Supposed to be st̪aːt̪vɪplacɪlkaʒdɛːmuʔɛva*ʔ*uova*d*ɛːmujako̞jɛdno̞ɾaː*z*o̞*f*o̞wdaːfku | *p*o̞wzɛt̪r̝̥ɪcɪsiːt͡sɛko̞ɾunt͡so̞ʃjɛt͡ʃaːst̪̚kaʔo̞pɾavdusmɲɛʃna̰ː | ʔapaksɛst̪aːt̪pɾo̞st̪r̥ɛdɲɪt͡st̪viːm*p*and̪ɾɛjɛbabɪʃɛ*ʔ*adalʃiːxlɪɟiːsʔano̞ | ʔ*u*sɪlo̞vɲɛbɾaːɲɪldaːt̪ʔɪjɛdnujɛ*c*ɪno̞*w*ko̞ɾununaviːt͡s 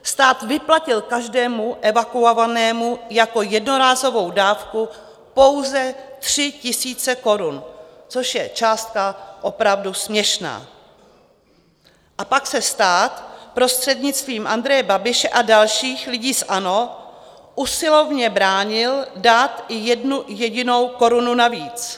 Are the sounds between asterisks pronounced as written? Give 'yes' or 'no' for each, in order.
no, no, yes, no, yes, no, yes, yes, no, yes

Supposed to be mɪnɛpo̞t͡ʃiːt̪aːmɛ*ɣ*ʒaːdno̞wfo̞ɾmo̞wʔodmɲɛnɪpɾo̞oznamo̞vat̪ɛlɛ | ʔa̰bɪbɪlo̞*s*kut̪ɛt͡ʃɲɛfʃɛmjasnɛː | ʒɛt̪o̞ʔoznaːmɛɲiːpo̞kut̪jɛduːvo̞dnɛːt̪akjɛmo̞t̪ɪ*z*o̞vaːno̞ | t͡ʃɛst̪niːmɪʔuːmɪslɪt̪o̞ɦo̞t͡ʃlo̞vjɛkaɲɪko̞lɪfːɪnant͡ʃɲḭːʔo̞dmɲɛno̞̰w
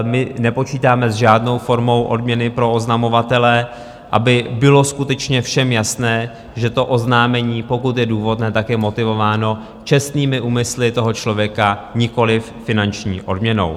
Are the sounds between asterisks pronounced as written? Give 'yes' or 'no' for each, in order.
no, yes, no

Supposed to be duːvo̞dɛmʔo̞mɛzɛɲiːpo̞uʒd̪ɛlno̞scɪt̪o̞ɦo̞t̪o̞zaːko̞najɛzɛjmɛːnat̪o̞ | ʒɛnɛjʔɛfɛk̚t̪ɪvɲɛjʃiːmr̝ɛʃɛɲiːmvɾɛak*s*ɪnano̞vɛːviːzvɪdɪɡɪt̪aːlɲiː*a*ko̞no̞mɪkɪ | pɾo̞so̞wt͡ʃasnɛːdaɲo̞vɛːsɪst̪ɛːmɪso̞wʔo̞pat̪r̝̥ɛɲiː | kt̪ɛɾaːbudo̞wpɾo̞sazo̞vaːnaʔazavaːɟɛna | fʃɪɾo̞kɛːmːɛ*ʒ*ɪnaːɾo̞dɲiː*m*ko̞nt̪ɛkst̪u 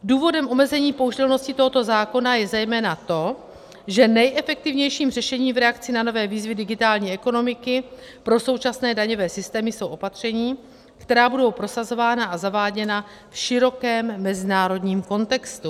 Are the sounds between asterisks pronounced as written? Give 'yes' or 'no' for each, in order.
no, no, no, yes

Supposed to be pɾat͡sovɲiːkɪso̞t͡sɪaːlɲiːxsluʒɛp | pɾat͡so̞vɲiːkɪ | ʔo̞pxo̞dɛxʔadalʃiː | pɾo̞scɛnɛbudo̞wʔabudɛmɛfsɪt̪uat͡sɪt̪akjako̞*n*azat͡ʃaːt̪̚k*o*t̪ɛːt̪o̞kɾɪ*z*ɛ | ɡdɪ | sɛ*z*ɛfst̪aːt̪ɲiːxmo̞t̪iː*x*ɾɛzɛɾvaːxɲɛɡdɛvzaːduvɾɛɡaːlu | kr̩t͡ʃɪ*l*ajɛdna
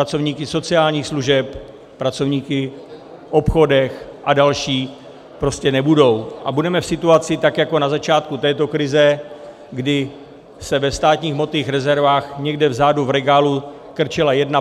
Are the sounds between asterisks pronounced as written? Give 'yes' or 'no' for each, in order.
yes, no, yes, no, yes, yes

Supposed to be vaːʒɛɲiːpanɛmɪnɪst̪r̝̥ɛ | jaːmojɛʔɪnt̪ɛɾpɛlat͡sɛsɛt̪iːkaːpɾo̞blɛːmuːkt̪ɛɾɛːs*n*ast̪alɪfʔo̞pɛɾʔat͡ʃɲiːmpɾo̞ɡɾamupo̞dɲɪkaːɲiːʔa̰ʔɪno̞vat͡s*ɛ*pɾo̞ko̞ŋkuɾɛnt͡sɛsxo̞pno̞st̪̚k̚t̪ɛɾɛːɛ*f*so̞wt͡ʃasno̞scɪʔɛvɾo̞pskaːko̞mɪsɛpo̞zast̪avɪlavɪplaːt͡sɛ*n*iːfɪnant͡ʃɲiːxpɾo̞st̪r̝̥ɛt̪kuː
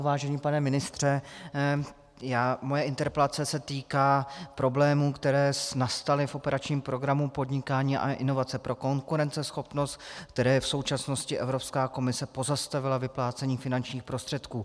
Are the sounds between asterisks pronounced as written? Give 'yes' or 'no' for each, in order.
yes, yes, yes, no

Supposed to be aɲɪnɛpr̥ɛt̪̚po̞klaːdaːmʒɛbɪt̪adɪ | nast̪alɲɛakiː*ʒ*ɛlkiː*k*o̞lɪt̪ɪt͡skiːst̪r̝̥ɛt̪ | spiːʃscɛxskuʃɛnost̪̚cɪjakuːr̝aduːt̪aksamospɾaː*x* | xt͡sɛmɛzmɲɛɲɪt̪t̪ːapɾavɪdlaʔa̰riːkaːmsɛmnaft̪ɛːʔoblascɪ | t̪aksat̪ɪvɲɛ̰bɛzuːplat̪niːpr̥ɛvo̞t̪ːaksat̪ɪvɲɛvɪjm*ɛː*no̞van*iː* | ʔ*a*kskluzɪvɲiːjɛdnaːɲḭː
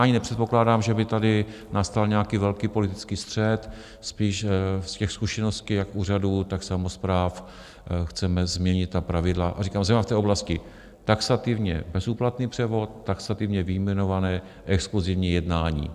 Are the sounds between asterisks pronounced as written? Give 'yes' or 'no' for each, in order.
no, no, no, no, no, no

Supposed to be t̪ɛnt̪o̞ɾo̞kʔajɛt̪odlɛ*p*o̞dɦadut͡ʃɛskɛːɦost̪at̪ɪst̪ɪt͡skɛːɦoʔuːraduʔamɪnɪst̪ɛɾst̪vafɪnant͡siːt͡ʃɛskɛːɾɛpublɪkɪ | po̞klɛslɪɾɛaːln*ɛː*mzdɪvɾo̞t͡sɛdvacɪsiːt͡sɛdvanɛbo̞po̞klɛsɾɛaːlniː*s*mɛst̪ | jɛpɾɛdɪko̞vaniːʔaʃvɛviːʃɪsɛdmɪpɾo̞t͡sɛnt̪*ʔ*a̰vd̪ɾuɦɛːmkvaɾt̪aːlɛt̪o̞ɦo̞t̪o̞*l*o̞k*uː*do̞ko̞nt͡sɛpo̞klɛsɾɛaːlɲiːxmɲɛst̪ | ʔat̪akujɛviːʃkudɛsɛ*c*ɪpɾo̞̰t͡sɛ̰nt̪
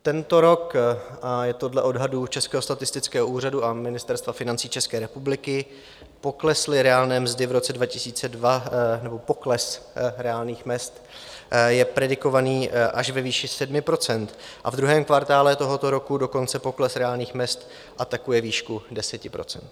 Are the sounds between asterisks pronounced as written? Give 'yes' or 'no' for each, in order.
no, yes, no, yes, no, no, yes

